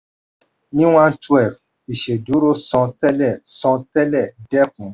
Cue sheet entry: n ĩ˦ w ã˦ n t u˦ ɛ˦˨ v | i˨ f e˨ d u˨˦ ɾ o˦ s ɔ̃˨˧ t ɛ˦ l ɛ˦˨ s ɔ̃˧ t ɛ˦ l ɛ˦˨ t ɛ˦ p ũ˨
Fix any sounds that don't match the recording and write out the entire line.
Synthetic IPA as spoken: n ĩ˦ w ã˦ n t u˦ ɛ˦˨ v | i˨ ʃ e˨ d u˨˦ ɾ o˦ s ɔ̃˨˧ t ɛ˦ l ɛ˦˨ s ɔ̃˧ t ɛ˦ l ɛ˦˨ d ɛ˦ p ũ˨